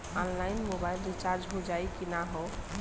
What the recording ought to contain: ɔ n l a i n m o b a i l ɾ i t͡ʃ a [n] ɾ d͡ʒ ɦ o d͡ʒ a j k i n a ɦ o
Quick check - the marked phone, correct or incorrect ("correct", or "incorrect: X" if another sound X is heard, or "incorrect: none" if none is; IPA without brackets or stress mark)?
incorrect: none